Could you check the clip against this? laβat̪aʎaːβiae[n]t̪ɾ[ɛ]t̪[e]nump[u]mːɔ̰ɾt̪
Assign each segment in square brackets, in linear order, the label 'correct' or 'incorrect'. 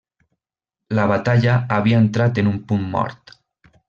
correct, incorrect: a, correct, correct

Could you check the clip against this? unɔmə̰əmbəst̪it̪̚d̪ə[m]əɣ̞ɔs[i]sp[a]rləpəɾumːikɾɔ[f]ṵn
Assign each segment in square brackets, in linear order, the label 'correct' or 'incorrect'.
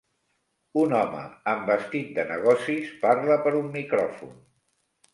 incorrect: n, correct, correct, correct

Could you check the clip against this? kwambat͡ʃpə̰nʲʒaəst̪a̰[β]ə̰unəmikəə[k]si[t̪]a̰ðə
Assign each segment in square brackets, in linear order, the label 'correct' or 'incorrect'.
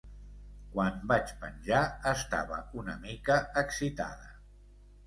correct, correct, correct

